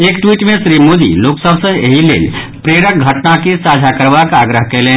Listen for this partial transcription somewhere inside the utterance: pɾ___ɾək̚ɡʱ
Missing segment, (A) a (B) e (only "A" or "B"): B